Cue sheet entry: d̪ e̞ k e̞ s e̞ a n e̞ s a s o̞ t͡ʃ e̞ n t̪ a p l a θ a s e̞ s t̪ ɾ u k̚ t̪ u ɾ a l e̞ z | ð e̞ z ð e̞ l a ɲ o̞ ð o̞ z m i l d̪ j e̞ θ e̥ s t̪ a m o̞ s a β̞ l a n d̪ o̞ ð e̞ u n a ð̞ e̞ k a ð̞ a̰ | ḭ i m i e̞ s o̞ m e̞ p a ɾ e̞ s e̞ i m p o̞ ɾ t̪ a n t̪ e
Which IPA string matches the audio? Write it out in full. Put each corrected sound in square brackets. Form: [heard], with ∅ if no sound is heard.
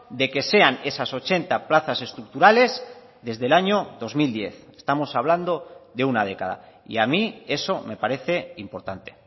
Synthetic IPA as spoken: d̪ e̞ k e̞ s e̞ a n e̞ s a s o̞ t͡ʃ e̞ n t̪ a p l a θ a s e̞ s t̪ ɾ u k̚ t̪ u ɾ a l e̞ z | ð e̞ z ð e̞ l a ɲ o̞ ð o̞ z m i l d̪ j e̞ θ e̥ s t̪ a m o̞ s a β̞ l a n d̪ o̞ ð e̞ u n a ð̞ e̞ k a ð̞ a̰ | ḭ [a] m i e̞ s o̞ m e̞ p a ɾ e̞ [θ] e̞ i m p o̞ ɾ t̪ a n t̪ e